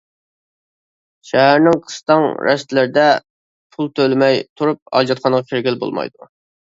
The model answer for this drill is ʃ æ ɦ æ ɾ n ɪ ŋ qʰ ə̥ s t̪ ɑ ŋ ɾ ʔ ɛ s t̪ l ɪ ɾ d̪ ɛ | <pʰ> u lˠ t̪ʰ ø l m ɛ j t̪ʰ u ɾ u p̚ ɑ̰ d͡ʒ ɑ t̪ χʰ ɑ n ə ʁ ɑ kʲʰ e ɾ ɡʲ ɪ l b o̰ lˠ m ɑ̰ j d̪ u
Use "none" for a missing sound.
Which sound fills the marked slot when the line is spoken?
pʰ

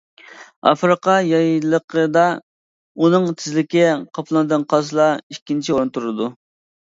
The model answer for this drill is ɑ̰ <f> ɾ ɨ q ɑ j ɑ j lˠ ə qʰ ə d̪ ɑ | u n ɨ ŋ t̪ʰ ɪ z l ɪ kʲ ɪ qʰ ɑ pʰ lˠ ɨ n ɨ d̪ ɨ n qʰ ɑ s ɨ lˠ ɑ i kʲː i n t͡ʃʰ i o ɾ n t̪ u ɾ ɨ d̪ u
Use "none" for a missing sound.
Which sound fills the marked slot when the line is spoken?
f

